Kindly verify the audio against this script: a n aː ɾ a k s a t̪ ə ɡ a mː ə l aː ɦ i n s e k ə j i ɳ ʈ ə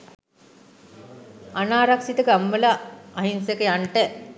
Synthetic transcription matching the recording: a n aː ɾ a k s i t̪ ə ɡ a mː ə l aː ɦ i n s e k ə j a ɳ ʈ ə

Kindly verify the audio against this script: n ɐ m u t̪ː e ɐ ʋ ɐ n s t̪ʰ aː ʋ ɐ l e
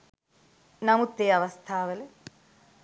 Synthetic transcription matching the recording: n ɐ m u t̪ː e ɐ ʋ ɐ s t̪ʰ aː ʋ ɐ l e

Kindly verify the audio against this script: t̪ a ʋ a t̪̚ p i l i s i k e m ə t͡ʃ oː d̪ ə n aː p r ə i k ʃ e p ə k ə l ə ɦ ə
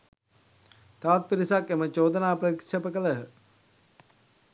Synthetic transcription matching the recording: t̪ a ʋ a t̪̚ p i ɾ i s a k e m ə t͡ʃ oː d̪ ə n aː p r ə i k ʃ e p ə k ə l ə ɦ ə

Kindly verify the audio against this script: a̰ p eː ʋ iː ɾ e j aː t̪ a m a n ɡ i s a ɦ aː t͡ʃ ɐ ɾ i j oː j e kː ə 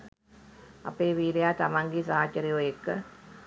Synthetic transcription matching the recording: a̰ p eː ʋ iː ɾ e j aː t̪ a m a ŋ ɡ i s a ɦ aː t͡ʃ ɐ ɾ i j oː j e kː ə

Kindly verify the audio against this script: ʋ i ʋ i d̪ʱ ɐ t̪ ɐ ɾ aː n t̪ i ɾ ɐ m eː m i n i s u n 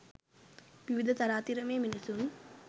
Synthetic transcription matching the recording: ʋ i ʋ i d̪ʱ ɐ t̪ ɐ ɾ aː t̪ i ɾ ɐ m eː m i n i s u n

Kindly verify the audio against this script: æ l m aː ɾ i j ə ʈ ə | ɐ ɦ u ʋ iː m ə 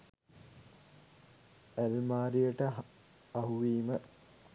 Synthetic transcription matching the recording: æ l m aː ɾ i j ə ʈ ə | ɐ ɦ u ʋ iː m ə

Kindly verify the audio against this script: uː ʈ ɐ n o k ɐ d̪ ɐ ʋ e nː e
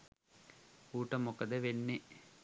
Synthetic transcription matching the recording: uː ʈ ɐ m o k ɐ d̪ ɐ ʋ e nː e

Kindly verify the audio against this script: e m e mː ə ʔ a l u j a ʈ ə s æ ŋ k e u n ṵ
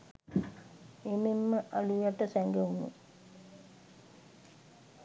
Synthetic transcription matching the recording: e m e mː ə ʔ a l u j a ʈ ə s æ ŋ ɡ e u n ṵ

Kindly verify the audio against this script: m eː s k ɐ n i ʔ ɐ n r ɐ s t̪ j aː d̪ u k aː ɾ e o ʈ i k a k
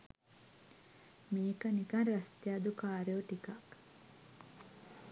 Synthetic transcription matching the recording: m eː k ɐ n i k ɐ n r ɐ s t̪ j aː d̪ u k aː ɾ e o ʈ i k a k

